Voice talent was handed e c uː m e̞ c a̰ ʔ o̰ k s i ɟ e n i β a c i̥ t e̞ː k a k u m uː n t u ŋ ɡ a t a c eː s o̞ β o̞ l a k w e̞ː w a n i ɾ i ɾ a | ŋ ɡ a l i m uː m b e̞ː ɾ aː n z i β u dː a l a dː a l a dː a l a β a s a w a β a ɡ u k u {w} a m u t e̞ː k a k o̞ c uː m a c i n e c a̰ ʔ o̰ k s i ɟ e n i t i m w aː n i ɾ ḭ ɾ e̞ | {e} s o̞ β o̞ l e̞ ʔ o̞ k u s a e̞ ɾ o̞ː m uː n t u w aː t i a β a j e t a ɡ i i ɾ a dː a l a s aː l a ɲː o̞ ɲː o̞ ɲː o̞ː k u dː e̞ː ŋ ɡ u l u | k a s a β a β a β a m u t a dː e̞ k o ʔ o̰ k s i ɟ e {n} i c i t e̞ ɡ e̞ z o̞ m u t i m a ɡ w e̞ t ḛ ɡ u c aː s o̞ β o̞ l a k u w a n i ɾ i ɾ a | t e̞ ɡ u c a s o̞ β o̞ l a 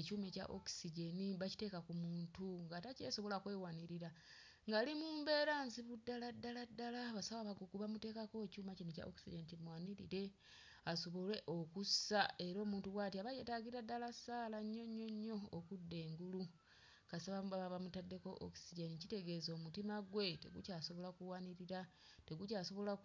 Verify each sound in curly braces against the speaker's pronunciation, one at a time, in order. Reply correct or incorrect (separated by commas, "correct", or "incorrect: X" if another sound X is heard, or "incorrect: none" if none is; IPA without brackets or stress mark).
incorrect: β, incorrect: a, correct